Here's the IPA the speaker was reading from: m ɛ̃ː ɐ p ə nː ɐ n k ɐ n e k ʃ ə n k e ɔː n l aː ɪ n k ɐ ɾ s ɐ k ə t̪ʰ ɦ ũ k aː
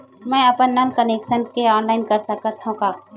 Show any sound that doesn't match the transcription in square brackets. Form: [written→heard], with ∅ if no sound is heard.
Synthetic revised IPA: m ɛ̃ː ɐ p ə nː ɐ n k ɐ n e k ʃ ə n k e ɔː n l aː ɪ n k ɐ ɾ s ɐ k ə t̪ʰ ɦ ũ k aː